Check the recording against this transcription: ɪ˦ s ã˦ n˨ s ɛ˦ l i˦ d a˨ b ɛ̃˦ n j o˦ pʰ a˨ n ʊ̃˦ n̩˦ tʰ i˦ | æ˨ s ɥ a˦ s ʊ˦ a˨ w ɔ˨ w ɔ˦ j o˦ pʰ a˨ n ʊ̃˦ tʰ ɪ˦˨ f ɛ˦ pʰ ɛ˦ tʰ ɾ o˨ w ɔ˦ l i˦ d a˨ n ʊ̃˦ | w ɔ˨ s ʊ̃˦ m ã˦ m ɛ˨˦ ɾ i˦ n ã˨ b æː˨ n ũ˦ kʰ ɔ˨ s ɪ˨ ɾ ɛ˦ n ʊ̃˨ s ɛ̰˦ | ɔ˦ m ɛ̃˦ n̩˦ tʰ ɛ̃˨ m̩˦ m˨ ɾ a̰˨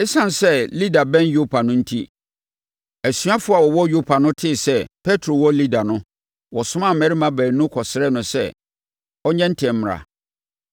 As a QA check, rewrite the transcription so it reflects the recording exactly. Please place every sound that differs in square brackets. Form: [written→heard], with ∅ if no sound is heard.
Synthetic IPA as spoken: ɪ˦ s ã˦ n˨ s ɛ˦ l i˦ d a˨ b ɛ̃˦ n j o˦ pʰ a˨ n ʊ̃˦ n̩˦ tʰ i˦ | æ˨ s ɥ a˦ [s→f] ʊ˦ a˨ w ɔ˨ w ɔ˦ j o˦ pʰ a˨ n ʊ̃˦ tʰ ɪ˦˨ [f→s] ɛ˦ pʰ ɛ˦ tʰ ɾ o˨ w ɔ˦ l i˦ d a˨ n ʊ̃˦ | w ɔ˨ s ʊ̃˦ m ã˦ m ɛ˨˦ ɾ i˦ [n→m] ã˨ b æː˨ n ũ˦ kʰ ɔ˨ s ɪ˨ ɾ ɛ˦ n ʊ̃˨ s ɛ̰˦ | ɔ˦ [m→ɲ] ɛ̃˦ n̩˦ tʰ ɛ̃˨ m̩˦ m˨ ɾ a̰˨